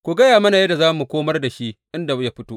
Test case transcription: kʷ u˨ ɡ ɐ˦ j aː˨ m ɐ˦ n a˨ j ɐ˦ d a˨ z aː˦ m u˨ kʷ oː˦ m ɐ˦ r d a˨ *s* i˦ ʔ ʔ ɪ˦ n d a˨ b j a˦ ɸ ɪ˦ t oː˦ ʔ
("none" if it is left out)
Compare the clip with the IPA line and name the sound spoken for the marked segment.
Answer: ʃ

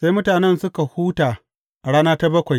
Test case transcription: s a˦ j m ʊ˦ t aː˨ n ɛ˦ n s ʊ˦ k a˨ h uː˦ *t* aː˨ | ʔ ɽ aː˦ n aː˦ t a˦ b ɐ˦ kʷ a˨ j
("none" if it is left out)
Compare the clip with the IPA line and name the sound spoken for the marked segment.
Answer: t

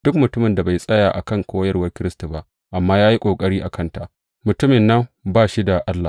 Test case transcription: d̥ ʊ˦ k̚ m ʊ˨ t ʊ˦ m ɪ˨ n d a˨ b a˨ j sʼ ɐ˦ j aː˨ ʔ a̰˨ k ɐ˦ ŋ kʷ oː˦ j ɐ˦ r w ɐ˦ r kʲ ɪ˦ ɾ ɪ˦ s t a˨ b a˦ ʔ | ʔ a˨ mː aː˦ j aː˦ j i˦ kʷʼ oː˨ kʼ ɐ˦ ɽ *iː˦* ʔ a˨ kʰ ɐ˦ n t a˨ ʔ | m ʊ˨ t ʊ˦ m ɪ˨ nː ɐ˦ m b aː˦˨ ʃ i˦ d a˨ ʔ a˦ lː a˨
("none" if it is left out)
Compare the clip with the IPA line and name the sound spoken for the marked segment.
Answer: iː˦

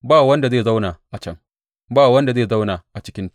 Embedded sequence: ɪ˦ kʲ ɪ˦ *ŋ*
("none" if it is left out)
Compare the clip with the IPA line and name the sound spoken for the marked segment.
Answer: n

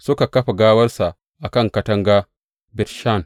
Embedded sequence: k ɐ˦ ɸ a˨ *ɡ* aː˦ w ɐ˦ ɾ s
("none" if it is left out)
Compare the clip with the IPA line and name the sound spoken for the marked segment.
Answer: ɡ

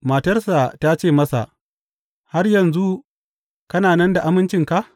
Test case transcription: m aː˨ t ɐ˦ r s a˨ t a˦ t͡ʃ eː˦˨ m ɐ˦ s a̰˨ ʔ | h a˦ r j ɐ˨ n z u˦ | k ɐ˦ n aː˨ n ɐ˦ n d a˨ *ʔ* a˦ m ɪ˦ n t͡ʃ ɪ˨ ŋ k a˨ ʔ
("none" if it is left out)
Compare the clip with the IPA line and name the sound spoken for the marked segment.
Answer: ʔ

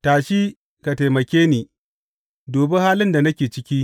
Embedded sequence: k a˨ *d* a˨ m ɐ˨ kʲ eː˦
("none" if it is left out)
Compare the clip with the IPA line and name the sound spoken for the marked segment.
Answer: t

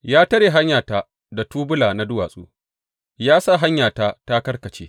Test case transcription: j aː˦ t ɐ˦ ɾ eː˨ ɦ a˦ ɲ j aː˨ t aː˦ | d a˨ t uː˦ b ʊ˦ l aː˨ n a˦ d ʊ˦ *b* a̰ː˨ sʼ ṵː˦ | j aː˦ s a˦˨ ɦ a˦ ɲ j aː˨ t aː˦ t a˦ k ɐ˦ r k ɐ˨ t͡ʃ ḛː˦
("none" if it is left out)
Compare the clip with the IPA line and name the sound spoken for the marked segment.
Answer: w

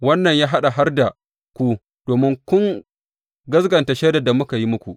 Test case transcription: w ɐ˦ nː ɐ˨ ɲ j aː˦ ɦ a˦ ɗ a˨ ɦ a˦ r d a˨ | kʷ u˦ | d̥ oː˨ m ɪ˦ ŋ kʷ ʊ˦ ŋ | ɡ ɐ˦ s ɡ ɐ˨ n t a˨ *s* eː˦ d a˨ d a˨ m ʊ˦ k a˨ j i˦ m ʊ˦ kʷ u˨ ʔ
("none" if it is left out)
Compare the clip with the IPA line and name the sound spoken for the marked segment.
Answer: ʃ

